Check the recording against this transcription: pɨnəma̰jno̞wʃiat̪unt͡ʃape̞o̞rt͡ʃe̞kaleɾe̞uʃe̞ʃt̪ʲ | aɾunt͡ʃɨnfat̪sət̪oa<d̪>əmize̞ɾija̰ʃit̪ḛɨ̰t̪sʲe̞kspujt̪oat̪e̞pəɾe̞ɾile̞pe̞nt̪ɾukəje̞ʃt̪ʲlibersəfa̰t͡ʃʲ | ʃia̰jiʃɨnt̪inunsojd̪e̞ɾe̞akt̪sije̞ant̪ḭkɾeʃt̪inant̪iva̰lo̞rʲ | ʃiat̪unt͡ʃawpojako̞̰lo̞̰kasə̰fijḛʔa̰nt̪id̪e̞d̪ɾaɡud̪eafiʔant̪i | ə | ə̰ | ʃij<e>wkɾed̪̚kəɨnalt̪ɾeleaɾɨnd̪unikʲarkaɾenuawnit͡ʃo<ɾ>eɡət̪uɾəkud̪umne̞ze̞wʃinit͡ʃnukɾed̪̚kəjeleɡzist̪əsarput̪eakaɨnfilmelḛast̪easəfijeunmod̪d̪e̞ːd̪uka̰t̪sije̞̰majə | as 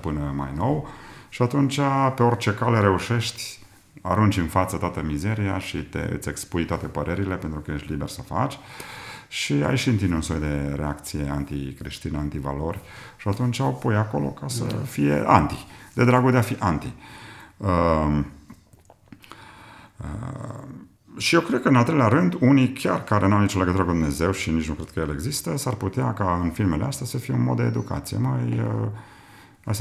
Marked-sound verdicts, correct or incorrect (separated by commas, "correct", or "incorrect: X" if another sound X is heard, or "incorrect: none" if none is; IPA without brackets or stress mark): incorrect: t̪, correct, incorrect: l